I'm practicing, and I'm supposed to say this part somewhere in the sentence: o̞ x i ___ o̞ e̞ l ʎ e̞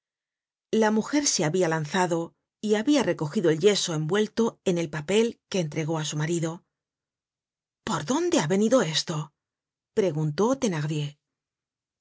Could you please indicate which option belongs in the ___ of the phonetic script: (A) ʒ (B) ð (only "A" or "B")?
B